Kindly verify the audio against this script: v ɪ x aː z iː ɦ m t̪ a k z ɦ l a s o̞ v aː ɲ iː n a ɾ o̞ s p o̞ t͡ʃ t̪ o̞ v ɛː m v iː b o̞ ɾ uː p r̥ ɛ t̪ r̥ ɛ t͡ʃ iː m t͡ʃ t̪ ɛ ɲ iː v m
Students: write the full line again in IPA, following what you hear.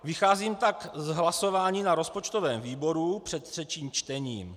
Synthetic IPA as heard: v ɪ x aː z iː m t̪ a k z ɦ l a s o̞ v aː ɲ iː n a ɾ o̞ s p o̞ t͡ʃ t̪ o̞ v ɛː m v iː b o̞ ɾ u p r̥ ɛ t̪ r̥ ɛ t͡ʃ iː m t͡ʃ t̪ ɛ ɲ iː m